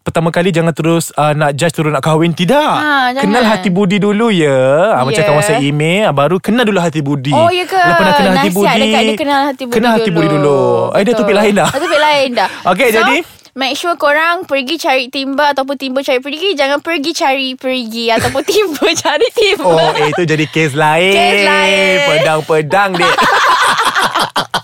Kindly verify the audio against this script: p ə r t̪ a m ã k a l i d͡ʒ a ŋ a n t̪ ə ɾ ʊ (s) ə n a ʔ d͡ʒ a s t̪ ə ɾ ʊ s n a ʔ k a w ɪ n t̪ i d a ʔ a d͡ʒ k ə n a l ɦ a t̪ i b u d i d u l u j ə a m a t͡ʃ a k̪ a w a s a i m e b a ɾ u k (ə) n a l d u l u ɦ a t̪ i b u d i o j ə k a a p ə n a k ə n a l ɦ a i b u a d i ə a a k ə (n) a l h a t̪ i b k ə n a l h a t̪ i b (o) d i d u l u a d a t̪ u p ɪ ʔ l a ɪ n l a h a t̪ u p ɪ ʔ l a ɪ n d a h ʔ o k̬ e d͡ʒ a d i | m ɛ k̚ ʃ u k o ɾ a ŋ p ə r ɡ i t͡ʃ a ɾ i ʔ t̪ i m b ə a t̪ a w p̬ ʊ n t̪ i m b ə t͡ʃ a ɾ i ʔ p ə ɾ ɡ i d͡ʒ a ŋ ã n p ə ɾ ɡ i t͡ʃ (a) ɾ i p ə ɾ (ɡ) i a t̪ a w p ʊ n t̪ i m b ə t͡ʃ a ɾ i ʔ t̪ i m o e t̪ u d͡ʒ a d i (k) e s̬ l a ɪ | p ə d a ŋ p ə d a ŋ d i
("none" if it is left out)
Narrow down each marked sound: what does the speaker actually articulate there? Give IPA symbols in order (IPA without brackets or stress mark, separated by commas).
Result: s, ə, n, u, a, ɡ, k